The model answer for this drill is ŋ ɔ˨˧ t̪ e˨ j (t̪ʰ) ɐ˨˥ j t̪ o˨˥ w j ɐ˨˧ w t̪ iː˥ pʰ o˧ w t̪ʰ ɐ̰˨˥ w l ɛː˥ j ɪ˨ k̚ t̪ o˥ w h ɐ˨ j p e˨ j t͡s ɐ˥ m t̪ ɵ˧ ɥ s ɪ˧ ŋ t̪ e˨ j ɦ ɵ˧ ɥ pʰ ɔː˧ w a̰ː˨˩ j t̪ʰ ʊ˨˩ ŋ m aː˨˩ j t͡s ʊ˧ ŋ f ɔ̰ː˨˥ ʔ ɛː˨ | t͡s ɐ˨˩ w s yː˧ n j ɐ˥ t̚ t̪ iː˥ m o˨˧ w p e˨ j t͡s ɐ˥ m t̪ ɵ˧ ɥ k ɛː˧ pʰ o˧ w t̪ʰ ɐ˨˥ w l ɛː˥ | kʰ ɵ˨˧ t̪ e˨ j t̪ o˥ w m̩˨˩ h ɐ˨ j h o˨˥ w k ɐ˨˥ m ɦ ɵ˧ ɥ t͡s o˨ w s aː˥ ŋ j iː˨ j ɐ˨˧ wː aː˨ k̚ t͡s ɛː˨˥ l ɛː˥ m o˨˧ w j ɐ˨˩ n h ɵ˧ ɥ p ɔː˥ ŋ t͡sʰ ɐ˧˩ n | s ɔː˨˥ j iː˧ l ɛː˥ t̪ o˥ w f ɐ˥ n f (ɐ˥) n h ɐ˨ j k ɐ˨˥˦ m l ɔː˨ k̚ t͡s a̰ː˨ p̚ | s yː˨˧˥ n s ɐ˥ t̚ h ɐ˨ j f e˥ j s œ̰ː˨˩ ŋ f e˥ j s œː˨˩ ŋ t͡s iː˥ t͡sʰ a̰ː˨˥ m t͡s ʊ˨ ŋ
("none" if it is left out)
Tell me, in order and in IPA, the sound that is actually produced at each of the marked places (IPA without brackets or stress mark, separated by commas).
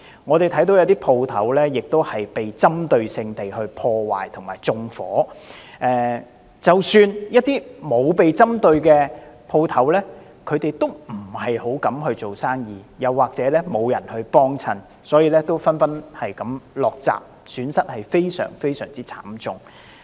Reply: t̪ʰ, ɐ˥